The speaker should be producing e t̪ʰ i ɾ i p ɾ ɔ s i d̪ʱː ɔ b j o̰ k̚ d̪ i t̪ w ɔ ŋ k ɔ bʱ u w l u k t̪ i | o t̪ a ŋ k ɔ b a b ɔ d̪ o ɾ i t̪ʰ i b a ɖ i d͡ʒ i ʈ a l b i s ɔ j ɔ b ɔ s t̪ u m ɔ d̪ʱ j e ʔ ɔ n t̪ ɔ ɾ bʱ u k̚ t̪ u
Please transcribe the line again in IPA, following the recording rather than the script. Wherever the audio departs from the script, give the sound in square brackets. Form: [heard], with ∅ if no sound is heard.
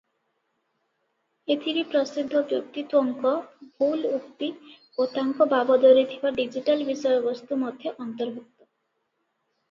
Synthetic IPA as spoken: e t̪ʰ i ɾ i p ɾ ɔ s i d̪ʱː ɔ b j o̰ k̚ [t̪] i t̪ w ɔ ŋ k ɔ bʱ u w l u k t̪ i | o t̪ a ŋ k ɔ b a b ɔ d̪ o ɾ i t̪ʰ i b a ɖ i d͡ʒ i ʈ a l b i s ɔ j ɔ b ɔ s t̪ u m ɔ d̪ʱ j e ʔ ɔ n t̪ ɔ ɾ bʱ u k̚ t̪ [ɔ]